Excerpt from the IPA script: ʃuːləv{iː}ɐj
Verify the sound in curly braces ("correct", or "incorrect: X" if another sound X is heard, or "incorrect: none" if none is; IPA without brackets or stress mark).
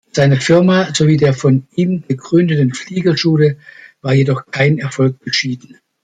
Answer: incorrect: aː